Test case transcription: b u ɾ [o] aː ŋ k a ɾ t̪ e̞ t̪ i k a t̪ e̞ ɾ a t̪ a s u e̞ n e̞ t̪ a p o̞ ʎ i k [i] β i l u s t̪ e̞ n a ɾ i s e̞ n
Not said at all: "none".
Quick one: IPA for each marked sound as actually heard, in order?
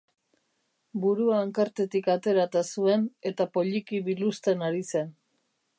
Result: u, i

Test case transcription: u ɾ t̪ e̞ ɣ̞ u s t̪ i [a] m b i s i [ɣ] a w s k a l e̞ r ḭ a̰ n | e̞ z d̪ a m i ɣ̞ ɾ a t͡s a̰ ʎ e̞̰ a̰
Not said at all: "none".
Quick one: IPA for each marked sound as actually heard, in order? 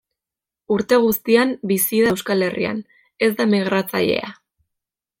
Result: a, ð

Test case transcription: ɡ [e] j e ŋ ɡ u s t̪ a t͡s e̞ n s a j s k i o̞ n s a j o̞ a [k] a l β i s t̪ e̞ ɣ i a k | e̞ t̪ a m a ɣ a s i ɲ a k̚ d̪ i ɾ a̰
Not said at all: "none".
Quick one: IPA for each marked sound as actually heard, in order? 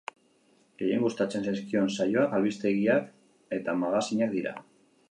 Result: e, k

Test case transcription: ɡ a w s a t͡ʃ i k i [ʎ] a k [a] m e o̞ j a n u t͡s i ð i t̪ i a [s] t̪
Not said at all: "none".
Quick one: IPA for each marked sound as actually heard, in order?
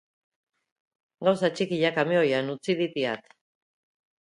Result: ʎ, a, none

